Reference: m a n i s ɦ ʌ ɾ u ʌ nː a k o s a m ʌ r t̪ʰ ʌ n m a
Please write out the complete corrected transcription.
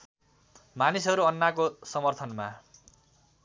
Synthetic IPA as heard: m a n i s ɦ ʌ ɾ u ʌ nː a k o s ʌ m ʌ r t̪ʰ ʌ n m a